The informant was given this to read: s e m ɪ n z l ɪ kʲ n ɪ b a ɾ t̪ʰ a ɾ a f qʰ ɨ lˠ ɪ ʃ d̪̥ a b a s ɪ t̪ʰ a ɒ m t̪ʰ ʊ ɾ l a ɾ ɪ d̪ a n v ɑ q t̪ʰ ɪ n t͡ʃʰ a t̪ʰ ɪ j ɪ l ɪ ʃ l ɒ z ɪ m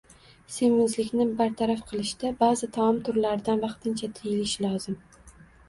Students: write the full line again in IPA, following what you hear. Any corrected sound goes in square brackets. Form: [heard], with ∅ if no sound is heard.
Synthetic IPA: s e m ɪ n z l ɪ kʲ n ɪ b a ɾ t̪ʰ a ɾ a f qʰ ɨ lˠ ɪ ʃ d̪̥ a b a [z] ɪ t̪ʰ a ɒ m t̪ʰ ʊ ɾ l a ɾ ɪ d̪ a n v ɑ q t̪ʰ ɪ n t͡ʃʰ a t̪ʰ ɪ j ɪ l ɪ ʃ l ɒ z ɪ m

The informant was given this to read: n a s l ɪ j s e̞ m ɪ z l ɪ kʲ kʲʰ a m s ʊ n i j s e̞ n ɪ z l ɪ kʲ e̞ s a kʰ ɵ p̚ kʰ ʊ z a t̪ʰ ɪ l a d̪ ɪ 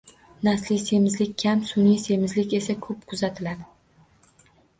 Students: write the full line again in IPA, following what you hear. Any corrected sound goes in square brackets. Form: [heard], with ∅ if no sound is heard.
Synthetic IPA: n a s l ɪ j s e̞ m ɪ z l ɪ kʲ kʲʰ a m s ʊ n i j s e̞ [m] ɪ z l ɪ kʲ e̞ s a kʰ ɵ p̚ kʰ ʊ z a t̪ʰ ɪ l a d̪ ɪ

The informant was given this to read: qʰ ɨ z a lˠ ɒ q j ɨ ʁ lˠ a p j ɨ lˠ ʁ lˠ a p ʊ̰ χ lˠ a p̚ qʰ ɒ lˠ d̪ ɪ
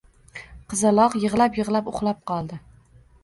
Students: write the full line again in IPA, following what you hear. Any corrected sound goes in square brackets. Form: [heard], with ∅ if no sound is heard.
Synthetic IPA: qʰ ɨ z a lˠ ɒ q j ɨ ʁ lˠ a p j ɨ [∅] ʁ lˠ a p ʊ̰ χ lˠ a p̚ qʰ ɒ lˠ d̪ ɪ

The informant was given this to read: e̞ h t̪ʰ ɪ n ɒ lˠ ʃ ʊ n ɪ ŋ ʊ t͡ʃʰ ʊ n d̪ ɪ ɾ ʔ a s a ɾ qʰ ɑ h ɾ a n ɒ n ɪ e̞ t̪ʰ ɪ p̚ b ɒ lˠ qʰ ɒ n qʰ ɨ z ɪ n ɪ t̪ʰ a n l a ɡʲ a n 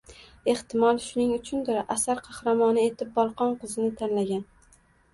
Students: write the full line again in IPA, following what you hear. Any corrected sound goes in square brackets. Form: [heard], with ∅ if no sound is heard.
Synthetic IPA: e̞ h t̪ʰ ɪ [m] ɒ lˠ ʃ ʊ n ɪ ŋ ʊ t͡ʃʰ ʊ n d̪ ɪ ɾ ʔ a s a ɾ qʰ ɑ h ɾ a [m] ɒ n ɪ e̞ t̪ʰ ɪ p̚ b ɒ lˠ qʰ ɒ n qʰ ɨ z ɪ n ɪ t̪ʰ a n l a ɡʲ a n

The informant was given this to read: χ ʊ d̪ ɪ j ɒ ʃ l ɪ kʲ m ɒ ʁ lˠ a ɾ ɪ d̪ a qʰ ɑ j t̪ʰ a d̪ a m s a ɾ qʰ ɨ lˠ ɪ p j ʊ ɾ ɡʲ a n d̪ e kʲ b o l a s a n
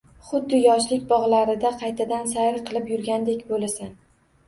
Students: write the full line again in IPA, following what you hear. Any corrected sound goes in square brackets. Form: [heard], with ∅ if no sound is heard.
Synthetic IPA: χ ʊ [d̪ː] ɪ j ɒ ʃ l ɪ kʲ [b] ɒ ʁ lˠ a ɾ ɪ d̪ a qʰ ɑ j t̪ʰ a d̪ a [n] s a ɾ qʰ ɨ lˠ ɪ p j ʊ ɾ ɡʲ a n d̪ e kʲ b o l a s a n

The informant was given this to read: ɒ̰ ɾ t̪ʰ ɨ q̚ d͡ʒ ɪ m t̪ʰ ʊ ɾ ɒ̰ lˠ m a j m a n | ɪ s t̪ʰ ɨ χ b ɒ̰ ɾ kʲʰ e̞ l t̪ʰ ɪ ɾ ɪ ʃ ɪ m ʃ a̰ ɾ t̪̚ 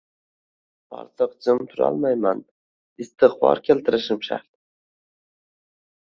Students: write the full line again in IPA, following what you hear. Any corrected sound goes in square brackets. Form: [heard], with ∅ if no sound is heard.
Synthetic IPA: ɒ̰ ɾ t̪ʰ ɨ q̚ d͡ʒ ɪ m t̪ʰ ʊ ɾ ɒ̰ lˠ m a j m a n | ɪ s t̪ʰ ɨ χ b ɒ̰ ɾ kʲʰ e̞ l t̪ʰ ɪ ɾ ɪ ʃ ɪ m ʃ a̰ ɾ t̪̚

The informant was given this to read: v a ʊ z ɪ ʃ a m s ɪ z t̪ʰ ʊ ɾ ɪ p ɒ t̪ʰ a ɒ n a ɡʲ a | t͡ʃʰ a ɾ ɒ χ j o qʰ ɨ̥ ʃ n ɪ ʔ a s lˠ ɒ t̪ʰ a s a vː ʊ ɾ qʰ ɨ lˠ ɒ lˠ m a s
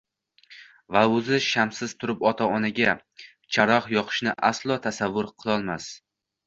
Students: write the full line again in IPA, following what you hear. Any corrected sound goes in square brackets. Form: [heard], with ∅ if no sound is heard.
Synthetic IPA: v a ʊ z ɪ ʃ a m s ɪ z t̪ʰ ʊ ɾ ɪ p ɒ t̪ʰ a ɒ n a ɡʲ a | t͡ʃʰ a ɾ ɒ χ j [ɒ] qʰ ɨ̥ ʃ n ɪ ʔ a s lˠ ɒ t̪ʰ a s a vː ʊ ɾ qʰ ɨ lˠ ɒ lˠ m a s

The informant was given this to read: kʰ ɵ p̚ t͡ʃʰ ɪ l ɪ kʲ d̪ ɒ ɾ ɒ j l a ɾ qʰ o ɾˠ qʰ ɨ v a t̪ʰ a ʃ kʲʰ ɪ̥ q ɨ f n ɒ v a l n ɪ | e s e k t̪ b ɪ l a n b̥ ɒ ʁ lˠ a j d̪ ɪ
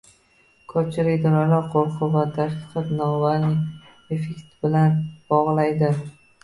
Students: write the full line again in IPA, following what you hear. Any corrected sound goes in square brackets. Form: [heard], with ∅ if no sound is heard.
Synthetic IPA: kʰ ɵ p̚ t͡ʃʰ ɪ l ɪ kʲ d̪ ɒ ɾ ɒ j l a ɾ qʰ o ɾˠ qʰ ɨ v a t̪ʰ a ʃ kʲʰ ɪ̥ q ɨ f n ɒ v a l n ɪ | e [f] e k t̪ b ɪ l a n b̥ ɒ ʁ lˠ a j d̪ ɪ

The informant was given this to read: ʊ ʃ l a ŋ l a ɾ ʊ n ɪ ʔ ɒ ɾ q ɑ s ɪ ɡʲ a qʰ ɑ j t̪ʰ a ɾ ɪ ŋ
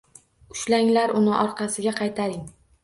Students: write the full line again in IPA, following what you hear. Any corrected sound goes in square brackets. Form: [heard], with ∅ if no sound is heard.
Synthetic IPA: ʊ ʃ l a ŋ l a ɾ ʊ n ɪ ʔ ɒ ɾ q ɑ s ɪ ɡʲ a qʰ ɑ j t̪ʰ a ɾ ɪ ŋ

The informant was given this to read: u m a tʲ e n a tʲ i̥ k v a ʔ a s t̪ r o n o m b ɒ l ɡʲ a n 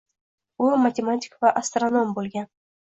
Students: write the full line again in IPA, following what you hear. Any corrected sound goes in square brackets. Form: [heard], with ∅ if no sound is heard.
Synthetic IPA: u m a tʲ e [m] a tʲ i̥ k v a ʔ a s t̪ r o n o m b [o] l ɡʲ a n

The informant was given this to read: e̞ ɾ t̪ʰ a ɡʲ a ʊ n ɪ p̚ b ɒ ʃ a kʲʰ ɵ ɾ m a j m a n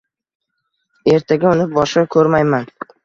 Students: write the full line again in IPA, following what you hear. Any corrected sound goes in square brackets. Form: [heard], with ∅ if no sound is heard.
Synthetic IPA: e̞ ɾ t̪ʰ a ɡʲ a ʊ n ɪ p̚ b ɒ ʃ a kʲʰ ɵ ɾ m a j m a n

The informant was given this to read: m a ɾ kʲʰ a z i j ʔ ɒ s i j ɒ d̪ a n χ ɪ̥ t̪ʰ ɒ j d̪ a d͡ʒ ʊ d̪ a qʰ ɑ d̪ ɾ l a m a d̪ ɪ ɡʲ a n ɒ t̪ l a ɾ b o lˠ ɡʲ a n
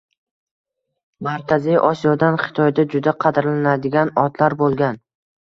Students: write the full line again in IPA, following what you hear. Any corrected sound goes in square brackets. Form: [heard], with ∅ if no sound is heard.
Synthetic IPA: m a ɾ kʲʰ a z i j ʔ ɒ s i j ɒ d̪ a n χ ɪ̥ t̪ʰ ɒ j d̪ a d͡ʒ ʊ d̪ a qʰ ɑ d̪ ɾ l a [n] a d̪ ɪ ɡʲ a n ɒ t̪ l a ɾ b o lˠ ɡʲ a n

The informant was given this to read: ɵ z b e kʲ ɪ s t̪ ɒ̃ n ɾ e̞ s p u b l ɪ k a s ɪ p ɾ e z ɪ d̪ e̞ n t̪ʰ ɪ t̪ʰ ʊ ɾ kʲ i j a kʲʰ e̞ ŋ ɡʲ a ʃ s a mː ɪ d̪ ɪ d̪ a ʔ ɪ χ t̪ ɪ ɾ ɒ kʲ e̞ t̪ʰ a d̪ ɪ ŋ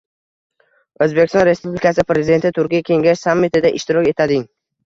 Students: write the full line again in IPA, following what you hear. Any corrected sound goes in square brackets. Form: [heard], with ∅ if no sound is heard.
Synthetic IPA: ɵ z b e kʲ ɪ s t̪ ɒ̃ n ɾ e̞ s p u b l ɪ k a s ɪ p ɾ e z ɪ d̪ e̞ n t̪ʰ ɪ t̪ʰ ʊ ɾ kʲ i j a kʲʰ e̞ ŋ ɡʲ a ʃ s a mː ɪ [t̪] ɪ d̪ a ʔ ɪ [ʃ] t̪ ɪ ɾ ɒ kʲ e̞ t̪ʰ a d̪ ɪ ŋ

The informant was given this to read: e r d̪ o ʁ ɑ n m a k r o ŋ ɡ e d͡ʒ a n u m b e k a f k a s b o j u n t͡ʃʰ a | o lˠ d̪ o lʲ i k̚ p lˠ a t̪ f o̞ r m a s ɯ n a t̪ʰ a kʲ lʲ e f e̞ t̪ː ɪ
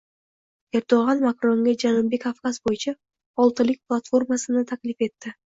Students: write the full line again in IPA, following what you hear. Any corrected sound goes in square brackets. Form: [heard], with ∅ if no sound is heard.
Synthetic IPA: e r d̪ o ʁ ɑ n m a k r o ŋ ɡ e d͡ʒ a n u m b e k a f k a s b o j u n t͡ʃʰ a | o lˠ [t̪] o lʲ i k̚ p lˠ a t̪ f o̞ r m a s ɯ n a t̪ʰ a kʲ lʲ [i] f e̞ t̪ː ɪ

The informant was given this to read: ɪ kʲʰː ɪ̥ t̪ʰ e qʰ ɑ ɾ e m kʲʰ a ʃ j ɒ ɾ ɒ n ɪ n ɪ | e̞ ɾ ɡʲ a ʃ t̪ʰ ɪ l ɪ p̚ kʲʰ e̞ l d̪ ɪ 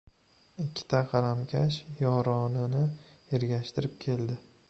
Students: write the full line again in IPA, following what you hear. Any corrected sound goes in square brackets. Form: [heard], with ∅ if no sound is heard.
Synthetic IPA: ɪ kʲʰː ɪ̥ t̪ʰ [a] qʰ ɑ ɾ [a] m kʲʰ a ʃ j ɒ ɾ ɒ n ɪ n ɪ | e̞ ɾ ɡʲ a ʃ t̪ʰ ɪ [ɾ] ɪ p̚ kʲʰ e̞ l d̪ ɪ

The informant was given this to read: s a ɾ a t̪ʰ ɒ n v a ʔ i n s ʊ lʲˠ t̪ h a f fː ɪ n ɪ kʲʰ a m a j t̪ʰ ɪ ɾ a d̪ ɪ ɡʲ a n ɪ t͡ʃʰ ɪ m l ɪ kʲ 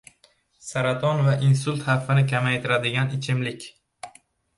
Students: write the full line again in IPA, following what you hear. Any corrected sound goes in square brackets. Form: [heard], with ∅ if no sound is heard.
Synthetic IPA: s a ɾ a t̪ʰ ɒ n v a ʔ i n s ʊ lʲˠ t̪ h a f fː ɪ n ɪ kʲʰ a m a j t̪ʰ ɪ ɾ a d̪ ɪ ɡʲ a n ɪ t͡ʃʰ ɪ m l ɪ kʲ

